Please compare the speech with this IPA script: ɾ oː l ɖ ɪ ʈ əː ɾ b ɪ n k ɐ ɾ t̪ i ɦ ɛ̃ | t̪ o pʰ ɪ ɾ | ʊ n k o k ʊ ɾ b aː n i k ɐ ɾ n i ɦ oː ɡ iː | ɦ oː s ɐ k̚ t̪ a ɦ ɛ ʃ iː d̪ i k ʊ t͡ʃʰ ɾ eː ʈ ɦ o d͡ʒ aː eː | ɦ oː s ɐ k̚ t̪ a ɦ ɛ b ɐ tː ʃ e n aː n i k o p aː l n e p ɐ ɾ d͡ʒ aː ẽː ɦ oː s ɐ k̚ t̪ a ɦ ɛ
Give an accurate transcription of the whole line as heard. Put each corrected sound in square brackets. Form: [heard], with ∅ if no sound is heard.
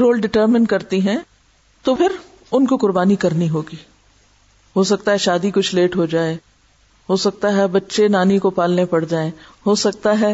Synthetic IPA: ɾ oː l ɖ ɪ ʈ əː ɾ [m] ɪ n k ɐ ɾ t̪ i ɦ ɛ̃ | t̪ o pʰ ɪ ɾ | ʊ n k o k ʊ ɾ b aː n i k ɐ ɾ n i ɦ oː ɡ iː | ɦ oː s ɐ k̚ t̪ a ɦ ɛ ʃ [aː] d̪ i k ʊ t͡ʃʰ [l] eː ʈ ɦ o d͡ʒ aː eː | ɦ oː s ɐ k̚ t̪ a ɦ ɛ b ɐ tː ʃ e n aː n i k o p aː l n e p ɐ [ɽ] d͡ʒ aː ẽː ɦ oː s ɐ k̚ t̪ a ɦ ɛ